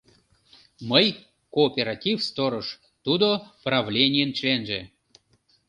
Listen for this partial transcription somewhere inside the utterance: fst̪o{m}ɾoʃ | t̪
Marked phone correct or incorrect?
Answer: incorrect: none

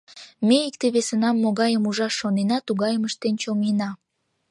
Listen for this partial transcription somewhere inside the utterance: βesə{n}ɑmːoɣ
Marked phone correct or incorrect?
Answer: correct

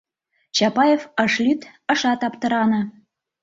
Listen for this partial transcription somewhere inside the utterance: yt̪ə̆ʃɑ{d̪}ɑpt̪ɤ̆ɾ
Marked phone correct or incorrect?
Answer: incorrect: t̪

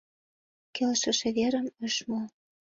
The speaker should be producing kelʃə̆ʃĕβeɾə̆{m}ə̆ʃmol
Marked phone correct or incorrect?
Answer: correct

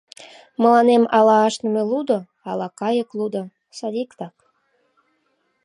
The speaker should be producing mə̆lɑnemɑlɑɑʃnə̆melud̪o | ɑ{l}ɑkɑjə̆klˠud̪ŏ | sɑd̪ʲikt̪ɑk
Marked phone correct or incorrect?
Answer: correct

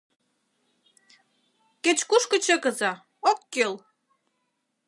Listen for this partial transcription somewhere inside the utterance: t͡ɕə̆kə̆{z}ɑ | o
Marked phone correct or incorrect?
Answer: correct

